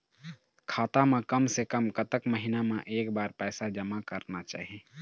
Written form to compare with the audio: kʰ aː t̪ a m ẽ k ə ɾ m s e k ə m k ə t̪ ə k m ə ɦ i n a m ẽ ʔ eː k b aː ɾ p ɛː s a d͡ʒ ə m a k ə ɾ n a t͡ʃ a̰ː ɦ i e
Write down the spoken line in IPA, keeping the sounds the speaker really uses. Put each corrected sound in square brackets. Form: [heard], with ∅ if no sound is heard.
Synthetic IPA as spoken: kʰ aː t̪ a m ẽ k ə [∅] m s e k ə m k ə t̪ ə k m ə ɦ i n a m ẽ ʔ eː k b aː ɾ p ɛː s a d͡ʒ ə m a k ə ɾ n a t͡ʃ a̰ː ɦ i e